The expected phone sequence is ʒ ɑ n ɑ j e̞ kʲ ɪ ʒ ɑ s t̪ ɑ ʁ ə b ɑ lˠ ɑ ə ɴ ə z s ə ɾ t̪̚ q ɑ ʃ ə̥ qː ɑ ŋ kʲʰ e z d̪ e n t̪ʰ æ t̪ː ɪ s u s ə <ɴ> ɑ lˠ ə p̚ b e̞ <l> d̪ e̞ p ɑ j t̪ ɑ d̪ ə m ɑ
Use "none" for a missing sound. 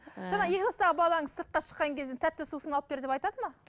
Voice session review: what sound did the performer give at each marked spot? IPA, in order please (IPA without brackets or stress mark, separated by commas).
n, ɾ